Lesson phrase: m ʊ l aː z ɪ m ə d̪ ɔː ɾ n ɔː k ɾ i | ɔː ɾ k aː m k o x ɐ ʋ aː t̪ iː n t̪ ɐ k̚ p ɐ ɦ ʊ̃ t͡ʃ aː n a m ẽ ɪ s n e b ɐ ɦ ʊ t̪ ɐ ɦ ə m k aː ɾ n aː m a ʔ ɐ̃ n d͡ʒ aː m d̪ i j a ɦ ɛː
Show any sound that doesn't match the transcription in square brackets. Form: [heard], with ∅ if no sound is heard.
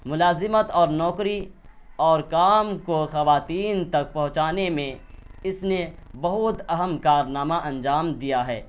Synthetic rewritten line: m ʊ l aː z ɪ m ə [t̪] ɔː ɾ n ɔː k ɾ i | ɔː ɾ k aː m k o x ɐ ʋ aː t̪ iː n t̪ ɐ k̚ p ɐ ɦ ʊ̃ t͡ʃ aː n [e] m ẽ ɪ s n e b ɐ ɦ ʊ t̪ ɐ ɦ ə m k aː ɾ n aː m a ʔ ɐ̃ n d͡ʒ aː m d̪ i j a ɦ ɛː